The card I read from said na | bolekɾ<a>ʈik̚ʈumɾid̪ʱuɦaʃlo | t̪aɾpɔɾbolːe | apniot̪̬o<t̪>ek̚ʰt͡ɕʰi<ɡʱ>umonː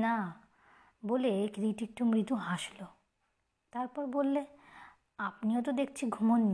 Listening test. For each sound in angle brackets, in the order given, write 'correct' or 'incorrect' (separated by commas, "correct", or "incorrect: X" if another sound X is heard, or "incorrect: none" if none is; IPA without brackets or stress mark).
incorrect: i, incorrect: d̪, correct